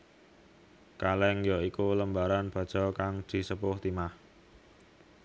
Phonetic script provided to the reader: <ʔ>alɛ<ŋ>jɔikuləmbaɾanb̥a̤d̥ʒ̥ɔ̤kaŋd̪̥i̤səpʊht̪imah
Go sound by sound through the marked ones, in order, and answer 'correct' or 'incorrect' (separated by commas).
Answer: incorrect, correct